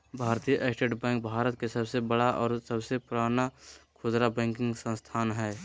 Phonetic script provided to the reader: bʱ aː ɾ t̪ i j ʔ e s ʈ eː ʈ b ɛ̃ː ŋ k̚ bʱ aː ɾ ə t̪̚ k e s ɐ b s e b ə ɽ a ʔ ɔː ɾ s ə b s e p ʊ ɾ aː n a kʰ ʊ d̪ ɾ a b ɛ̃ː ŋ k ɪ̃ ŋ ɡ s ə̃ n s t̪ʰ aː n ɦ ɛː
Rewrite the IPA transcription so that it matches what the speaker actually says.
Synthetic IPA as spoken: bʱ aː ɾ t̪ i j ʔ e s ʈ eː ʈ b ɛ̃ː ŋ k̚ bʱ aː ɾ ə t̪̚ k e s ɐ b s e b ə ɽ a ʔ ɔː ɾ s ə b s e p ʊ ɾ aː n a kʰ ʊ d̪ ɾ a b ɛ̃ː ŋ k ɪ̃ ŋ ɡ s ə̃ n s t̪ʰ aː n ɦ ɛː